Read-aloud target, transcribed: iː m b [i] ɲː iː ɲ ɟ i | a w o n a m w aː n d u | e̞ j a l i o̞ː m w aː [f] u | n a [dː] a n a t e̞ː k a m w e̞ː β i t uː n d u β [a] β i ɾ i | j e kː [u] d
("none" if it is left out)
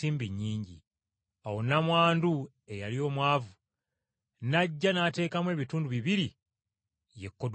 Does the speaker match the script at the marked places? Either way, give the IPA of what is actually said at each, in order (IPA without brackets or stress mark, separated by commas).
i, v, ɟː, i, o